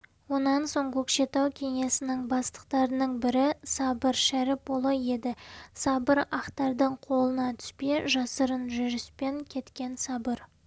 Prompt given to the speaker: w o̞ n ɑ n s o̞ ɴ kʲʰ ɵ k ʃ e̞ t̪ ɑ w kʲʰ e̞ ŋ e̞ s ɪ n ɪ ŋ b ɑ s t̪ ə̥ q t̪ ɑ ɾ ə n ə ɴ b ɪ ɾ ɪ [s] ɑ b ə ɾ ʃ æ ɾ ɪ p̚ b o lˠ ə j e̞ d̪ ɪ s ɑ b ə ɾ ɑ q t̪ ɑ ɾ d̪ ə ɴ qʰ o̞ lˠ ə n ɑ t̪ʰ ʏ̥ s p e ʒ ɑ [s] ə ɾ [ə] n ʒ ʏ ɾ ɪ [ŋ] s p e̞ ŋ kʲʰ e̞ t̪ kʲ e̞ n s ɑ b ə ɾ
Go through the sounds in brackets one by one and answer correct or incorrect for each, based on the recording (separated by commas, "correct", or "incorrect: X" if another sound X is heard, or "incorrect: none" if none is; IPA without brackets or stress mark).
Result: correct, correct, correct, incorrect: none